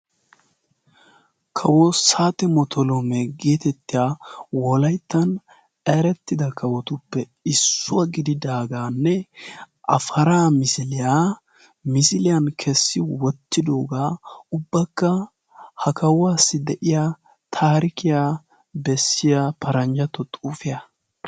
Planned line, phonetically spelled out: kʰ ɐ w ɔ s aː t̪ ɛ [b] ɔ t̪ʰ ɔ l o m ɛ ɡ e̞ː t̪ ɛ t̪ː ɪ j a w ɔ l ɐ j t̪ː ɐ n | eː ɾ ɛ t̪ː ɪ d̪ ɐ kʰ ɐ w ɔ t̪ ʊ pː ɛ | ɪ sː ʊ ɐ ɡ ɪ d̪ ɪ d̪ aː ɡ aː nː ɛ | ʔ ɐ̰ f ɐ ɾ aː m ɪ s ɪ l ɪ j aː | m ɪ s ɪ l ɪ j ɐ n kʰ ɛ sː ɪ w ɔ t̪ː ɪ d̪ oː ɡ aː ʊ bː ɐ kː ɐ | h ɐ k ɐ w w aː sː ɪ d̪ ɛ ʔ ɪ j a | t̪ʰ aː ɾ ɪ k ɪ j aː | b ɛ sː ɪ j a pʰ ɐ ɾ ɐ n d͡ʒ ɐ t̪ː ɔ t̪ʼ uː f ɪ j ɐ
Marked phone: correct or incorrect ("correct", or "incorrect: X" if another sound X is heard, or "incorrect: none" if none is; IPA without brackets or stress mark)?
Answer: incorrect: m